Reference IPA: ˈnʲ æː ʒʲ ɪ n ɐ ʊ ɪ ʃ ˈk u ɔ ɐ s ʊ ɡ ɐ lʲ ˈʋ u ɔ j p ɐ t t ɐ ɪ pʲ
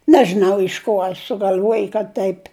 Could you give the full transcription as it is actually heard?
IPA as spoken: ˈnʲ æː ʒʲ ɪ n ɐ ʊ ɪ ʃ ˈk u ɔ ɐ s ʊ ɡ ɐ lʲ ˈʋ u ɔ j k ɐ t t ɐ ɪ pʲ